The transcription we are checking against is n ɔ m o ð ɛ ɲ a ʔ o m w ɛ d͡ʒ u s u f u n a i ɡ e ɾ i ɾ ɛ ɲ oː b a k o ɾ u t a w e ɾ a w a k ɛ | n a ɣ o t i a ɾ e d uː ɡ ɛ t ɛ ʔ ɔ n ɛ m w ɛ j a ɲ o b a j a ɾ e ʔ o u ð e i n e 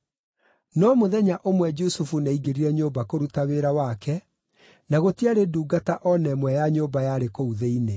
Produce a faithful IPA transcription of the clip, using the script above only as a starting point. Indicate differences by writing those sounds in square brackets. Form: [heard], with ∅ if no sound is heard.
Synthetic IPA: n ɔ m o ð ɛ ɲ a ʔ o m w ɛ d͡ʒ u s u f u n a i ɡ e ɾ i ɾ ɛ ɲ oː b a k o ɾ u t a w e ɾ a w a k ɛ | n a ɣ o t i a ɾ e d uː ɡ [a] t [a] ʔ ɔ n ɛ m w ɛ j a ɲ o b a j a ɾ e [k] o u ð e i n e